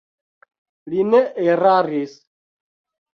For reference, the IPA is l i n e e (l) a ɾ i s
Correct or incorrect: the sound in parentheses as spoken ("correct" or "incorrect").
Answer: incorrect